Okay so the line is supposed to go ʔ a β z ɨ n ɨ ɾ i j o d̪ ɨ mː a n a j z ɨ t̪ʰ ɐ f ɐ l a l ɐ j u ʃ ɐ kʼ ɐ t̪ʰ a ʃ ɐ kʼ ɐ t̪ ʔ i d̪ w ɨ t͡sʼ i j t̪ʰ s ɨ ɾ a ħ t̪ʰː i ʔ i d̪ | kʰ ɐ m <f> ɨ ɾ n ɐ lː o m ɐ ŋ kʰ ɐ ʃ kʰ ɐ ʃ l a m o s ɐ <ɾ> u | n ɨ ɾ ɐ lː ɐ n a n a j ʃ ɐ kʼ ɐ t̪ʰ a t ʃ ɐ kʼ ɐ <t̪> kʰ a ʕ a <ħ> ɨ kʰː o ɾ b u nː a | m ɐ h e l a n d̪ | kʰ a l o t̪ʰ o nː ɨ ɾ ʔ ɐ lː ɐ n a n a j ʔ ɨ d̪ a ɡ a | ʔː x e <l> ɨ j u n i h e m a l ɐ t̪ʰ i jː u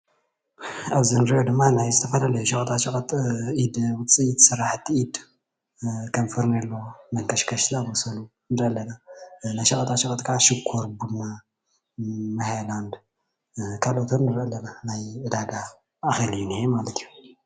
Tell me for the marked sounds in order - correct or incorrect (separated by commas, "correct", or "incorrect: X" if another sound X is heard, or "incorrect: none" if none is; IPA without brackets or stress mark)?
correct, incorrect: l, correct, incorrect: ʃ, correct